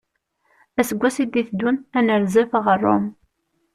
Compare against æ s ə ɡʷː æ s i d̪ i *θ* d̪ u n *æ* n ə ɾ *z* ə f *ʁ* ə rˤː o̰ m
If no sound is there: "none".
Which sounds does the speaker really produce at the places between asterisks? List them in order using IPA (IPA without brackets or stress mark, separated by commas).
θ, æ, z, ʁ